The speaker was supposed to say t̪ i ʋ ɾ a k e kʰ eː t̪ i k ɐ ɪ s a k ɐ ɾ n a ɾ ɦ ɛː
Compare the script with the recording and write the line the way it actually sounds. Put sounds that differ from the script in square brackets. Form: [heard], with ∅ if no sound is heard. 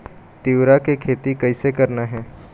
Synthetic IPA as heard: t̪ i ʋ ɾ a k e kʰ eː t̪ i k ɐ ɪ s [e] k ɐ ɾ n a [∅] ɦ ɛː